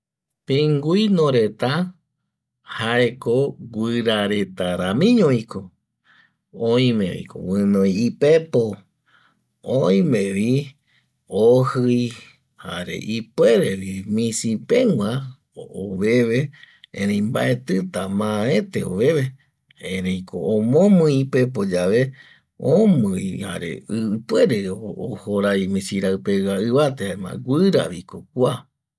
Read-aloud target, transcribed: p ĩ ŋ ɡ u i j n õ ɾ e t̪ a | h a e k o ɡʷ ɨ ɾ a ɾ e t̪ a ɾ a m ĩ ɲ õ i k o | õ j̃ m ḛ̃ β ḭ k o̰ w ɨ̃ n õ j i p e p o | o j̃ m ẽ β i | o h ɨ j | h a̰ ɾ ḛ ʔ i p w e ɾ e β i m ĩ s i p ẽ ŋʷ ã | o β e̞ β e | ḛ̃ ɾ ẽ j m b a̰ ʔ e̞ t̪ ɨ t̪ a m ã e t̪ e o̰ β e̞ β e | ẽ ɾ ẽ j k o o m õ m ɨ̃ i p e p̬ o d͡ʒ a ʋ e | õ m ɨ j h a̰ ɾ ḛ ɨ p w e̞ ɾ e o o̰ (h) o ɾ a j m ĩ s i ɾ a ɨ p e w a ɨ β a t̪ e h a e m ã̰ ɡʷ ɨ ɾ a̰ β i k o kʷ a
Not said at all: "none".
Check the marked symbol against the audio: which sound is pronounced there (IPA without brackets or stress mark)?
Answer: h